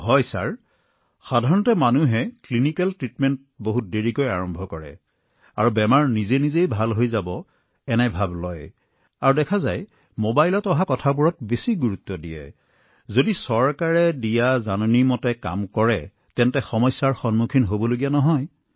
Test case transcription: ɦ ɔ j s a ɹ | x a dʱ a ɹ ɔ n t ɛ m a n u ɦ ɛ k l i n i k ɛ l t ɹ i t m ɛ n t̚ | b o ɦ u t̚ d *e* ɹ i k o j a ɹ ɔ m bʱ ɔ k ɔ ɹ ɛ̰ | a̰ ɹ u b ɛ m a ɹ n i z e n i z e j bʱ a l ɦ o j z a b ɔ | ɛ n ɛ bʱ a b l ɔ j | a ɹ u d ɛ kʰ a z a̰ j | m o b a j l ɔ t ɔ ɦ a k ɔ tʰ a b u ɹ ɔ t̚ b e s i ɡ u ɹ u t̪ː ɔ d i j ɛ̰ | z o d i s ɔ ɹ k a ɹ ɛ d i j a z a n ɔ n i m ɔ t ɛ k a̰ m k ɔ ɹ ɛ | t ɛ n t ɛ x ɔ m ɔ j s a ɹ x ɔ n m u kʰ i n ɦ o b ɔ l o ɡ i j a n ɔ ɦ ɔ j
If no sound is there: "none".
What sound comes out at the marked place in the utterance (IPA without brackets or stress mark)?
e